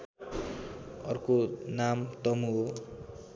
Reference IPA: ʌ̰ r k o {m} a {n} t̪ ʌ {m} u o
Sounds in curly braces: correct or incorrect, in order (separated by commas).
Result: incorrect, incorrect, correct